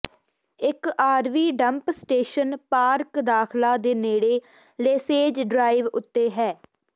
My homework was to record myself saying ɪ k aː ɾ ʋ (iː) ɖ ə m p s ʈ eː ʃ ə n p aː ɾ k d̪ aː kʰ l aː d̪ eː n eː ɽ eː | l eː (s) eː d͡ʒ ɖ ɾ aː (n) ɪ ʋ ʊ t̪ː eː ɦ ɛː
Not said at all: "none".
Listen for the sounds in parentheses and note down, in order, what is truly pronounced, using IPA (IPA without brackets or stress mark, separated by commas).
iː, s, none